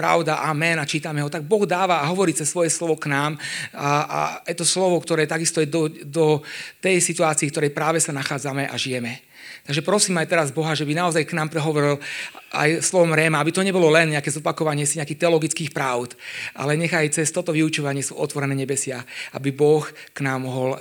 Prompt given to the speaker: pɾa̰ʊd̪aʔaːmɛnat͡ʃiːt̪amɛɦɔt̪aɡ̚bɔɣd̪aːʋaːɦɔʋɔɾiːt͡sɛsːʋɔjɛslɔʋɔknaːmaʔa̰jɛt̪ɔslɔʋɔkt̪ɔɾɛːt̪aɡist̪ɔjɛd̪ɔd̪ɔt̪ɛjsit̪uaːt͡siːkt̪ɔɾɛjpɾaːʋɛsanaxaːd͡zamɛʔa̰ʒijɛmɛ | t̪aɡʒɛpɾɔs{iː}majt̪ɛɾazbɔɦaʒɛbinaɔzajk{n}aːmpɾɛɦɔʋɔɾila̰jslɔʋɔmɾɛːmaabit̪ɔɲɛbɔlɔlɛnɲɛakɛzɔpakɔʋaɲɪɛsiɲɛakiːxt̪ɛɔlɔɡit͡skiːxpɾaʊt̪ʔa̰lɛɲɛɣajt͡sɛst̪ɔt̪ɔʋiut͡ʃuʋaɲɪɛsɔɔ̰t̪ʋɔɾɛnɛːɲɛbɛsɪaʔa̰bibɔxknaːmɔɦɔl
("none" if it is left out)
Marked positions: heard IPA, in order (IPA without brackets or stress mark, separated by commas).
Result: iː, n